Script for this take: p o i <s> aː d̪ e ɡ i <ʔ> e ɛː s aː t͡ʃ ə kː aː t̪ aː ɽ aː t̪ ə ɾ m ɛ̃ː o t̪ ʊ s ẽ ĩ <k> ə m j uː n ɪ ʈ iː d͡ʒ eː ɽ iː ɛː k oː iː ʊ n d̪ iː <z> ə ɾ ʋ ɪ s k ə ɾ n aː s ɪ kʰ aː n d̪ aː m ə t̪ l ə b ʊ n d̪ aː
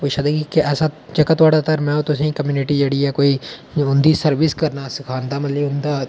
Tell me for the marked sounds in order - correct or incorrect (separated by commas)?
incorrect, incorrect, correct, incorrect